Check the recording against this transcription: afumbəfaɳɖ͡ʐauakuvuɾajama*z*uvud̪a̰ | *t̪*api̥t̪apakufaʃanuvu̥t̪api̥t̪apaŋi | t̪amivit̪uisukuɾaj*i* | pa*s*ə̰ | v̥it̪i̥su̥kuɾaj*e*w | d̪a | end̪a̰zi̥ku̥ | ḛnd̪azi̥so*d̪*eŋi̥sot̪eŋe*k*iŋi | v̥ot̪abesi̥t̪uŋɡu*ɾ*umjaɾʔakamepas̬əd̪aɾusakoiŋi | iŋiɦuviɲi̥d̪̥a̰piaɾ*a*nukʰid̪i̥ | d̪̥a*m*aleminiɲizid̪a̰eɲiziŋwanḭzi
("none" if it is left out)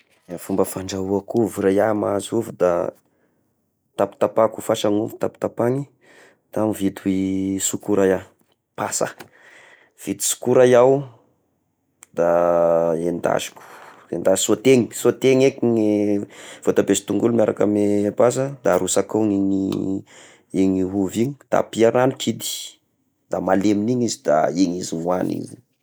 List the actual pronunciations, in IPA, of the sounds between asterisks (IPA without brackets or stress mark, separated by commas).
z, t̪, a, s, a, t̪, k, l, a, m